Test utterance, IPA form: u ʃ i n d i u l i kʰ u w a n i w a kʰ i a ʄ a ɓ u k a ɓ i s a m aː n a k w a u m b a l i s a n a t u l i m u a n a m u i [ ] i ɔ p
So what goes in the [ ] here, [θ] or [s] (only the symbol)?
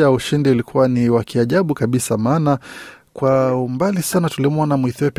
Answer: θ